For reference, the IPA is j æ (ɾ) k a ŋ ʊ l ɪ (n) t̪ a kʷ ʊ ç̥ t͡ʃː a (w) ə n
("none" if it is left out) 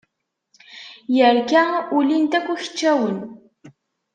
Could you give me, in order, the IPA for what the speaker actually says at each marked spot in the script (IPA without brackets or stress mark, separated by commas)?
ɾ, n, w